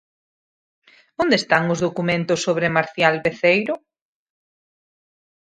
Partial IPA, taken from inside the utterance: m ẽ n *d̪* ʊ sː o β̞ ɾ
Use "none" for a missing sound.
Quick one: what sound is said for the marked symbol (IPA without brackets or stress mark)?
t̪